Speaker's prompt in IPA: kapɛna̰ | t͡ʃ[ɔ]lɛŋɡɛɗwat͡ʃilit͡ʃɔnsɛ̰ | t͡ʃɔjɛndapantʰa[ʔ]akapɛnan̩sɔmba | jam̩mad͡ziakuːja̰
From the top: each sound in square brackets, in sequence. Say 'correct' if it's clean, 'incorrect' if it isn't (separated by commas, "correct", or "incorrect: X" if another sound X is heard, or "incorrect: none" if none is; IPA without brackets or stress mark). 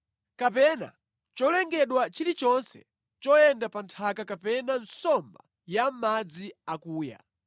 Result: correct, incorrect: k